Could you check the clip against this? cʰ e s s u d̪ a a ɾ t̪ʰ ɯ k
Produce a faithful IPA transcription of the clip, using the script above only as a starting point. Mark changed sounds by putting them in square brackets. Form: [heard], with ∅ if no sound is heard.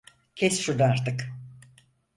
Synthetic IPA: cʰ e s [ʃ] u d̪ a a ɾ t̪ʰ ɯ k